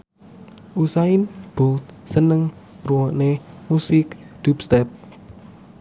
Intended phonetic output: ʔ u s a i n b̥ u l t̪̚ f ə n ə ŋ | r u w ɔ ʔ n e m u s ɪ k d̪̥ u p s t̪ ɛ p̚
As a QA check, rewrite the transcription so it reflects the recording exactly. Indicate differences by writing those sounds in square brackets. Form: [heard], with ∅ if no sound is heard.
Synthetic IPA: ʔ u s a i n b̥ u l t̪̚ [s] ə n ə ŋ | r u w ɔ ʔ n e m u s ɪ k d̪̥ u p s t̪ ɛ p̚

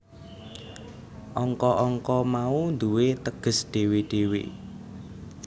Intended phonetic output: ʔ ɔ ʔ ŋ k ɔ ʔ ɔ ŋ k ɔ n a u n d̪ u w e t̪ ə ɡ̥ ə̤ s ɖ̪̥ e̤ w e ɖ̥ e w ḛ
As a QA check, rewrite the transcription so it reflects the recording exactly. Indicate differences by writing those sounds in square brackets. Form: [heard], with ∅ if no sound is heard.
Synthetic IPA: ʔ ɔ [∅] ŋ k ɔ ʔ ɔ ŋ k ɔ [m] a u n d̪ u w e t̪ ə ɡ̥ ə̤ s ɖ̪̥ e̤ w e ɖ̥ e w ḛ

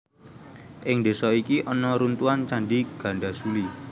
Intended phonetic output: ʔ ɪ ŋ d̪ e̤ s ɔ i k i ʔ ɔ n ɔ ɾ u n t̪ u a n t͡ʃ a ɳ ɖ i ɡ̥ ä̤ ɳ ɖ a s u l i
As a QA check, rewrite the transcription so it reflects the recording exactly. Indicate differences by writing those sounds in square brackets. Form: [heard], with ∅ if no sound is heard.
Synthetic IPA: ʔ ɪ ŋ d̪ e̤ s ɔ i k i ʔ ɔ n ɔ ɾ u n t̪ u a n t͡ʃ a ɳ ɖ i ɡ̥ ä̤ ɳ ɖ a s u l i

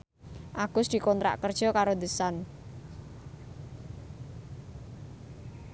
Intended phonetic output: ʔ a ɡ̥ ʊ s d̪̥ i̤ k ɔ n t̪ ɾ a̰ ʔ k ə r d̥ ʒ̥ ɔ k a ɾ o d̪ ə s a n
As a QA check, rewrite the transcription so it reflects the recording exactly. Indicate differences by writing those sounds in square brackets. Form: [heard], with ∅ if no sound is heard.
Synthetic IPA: ʔ a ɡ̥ ʊ s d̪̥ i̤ k ɔ n t̪ ɾ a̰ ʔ k ə r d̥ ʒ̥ ɔ k a ɾ o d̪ ə s a n

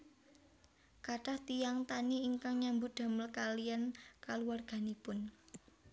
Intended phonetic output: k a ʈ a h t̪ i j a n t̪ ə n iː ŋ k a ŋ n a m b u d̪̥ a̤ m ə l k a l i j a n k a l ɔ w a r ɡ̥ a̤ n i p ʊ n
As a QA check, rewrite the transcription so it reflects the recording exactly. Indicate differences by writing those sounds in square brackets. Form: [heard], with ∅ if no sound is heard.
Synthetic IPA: k a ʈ a h t̪ i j a [ŋ] t̪ [a] n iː ŋ k a ŋ [ɲ] a m b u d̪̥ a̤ m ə l k a l i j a n k a l [u] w a r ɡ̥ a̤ n i p ʊ n

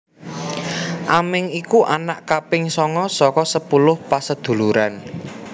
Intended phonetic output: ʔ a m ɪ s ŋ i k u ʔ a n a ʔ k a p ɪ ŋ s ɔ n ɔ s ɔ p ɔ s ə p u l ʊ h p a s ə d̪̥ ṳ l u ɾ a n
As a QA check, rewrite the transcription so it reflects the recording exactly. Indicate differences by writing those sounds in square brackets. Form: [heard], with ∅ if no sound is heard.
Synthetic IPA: ʔ a m ɪ [∅] ŋ i k u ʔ a n a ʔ k a p ɪ ŋ s ɔ [ŋ] ɔ s ɔ [k] ɔ s ə p u l ʊ h p a s ə d̪̥ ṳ l u ɾ a n

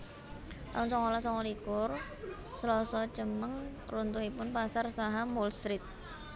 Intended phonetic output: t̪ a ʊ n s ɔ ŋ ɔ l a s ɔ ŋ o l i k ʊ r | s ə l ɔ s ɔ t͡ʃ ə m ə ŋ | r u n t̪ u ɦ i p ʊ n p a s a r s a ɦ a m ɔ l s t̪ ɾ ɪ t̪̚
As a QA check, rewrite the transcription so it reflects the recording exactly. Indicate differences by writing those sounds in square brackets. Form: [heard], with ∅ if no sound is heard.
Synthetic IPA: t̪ a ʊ n s ɔ ŋ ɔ l a s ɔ ŋ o l i k ʊ r | s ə l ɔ s ɔ t͡ʃ ə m ə ŋ | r u n t̪ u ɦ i p ʊ n p a s a r s a ɦ a m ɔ l s t̪ ɾ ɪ t̪̚

